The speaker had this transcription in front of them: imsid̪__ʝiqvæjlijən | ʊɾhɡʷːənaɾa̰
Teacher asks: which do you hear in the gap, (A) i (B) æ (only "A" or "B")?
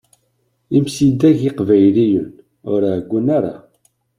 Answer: B